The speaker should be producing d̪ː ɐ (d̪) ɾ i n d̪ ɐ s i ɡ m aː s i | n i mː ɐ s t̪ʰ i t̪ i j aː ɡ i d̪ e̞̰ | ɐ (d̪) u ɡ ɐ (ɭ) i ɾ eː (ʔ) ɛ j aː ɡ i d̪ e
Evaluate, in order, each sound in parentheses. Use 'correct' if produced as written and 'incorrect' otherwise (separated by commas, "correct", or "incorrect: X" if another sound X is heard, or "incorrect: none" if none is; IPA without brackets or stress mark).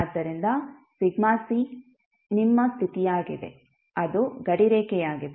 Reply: incorrect: none, correct, incorrect: ɽ, incorrect: k